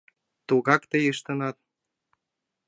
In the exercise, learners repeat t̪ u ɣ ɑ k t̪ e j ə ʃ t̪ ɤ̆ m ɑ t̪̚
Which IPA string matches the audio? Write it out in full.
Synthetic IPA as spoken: t̪ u ɣ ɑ k t̪ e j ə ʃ t̪ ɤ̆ n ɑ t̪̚